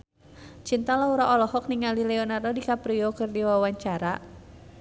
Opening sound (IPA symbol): t͡ʃ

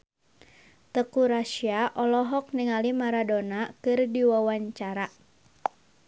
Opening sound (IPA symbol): t̪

